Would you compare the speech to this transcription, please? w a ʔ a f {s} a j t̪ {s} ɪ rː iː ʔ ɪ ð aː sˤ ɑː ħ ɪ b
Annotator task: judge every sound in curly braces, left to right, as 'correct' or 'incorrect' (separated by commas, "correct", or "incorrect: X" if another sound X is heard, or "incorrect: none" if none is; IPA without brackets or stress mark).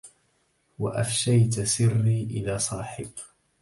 incorrect: ʃ, correct